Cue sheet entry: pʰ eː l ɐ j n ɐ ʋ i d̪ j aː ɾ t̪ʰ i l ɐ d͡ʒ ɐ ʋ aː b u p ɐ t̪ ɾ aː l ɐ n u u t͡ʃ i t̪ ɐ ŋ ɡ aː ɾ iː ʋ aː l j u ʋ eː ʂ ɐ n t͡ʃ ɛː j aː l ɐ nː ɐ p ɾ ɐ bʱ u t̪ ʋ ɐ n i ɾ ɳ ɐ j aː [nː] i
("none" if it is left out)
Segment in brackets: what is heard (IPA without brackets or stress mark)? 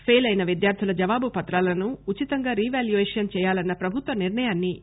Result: nː